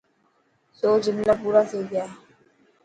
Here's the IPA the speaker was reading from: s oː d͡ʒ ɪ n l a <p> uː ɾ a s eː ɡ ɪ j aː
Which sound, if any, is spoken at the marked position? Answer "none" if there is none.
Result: p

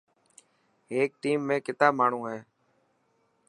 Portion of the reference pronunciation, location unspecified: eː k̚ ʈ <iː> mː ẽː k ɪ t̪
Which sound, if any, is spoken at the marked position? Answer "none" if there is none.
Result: iː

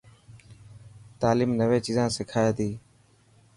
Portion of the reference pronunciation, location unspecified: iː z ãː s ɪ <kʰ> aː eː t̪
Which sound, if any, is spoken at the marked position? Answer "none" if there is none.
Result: kʰ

